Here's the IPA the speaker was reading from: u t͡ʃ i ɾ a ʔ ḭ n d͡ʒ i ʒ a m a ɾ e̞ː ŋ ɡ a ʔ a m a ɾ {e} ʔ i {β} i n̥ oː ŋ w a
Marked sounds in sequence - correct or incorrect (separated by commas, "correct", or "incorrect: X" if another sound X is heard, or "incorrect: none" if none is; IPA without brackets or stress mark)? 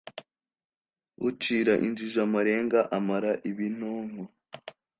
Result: incorrect: a, correct